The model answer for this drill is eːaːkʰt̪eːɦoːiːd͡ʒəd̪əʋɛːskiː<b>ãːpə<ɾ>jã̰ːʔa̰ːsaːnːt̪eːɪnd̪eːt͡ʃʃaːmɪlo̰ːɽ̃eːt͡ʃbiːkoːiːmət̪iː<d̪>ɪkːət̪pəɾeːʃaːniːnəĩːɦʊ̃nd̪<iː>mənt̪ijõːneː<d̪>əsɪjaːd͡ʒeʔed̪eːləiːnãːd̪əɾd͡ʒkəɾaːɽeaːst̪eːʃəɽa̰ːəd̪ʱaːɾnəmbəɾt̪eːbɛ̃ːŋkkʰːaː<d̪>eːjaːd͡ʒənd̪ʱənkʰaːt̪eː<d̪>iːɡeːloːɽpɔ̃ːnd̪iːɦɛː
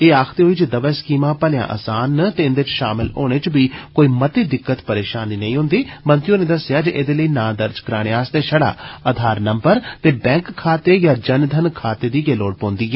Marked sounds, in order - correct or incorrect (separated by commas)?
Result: incorrect, incorrect, correct, correct, correct, incorrect, correct